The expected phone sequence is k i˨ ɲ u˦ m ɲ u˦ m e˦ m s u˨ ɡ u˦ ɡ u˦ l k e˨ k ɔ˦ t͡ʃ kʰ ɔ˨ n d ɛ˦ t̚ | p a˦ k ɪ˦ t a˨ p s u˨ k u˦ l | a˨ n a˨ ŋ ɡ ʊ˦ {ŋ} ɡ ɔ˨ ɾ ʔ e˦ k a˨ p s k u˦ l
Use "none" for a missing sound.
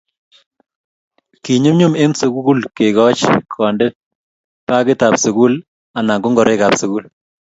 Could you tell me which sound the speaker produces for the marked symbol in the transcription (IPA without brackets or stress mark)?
ŋ